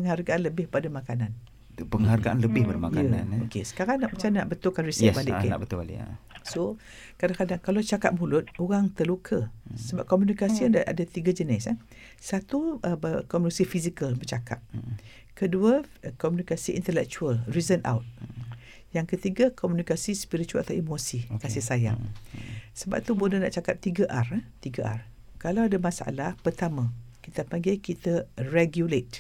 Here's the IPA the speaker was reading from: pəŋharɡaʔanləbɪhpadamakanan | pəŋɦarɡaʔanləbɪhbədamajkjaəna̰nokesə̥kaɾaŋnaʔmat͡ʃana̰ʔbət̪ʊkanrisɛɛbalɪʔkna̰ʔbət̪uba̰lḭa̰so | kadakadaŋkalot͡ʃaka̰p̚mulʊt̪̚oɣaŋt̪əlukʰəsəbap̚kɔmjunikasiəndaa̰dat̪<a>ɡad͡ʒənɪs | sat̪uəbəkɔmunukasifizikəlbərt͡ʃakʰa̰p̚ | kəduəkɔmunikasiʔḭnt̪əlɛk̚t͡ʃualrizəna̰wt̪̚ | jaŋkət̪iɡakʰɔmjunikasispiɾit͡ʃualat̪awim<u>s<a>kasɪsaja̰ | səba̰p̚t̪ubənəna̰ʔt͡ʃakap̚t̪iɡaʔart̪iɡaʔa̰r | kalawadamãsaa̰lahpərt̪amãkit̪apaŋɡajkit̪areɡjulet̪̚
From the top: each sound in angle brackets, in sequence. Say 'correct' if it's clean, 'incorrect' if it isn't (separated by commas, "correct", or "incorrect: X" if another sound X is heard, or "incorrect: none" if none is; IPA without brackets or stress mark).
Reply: incorrect: i, incorrect: o, incorrect: i